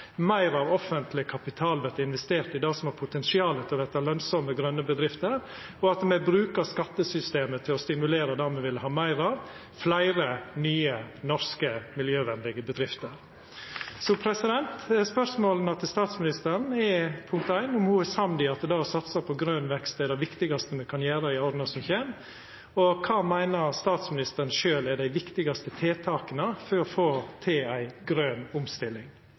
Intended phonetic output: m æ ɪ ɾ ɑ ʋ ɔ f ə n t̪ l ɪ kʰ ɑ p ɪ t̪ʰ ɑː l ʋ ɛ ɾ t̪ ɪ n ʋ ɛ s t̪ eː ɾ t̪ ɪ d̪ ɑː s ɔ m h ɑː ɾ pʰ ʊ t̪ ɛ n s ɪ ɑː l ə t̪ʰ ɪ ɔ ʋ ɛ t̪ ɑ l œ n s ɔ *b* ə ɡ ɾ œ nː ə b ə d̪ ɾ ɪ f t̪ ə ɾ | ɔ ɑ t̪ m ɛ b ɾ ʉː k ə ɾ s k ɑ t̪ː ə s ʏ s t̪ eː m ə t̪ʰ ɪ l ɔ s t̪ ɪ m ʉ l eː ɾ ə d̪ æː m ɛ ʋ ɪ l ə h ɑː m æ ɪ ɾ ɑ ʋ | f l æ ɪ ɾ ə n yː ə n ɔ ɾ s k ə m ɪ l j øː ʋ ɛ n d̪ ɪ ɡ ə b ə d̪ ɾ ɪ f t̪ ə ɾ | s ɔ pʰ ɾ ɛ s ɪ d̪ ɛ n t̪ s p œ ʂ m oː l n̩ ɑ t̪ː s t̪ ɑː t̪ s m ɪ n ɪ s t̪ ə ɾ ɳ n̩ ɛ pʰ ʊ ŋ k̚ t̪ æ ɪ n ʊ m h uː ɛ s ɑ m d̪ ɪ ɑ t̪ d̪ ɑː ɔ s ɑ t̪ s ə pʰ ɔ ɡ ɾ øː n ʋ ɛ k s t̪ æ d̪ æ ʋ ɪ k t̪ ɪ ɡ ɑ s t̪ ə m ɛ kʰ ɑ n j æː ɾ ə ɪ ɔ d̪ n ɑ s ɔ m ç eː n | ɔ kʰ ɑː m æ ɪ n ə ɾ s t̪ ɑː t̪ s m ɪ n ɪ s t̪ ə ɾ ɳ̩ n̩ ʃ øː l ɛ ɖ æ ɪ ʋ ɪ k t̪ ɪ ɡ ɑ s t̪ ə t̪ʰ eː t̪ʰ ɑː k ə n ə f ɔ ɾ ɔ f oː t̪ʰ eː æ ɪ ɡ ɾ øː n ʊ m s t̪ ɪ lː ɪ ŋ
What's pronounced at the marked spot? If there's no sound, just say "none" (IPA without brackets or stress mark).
m